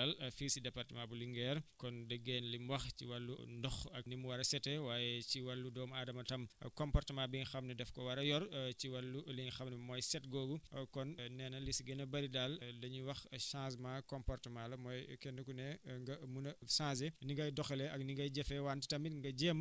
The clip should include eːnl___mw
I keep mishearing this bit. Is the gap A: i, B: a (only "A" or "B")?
A